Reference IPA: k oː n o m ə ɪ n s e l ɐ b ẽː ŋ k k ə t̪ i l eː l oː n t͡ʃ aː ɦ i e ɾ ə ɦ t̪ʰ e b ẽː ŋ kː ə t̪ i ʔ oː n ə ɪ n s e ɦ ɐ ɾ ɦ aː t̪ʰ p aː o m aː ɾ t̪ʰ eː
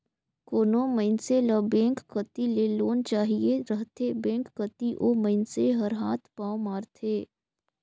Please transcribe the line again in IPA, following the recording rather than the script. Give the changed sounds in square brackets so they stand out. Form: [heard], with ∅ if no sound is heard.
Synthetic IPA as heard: k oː n o m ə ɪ n s e l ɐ b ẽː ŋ k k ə t̪ i l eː l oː n t͡ʃ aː ɦ i e ɾ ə ɦ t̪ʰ e b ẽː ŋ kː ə t̪ i ʔ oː [m] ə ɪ n s e ɦ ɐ ɾ ɦ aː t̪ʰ p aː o m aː ɾ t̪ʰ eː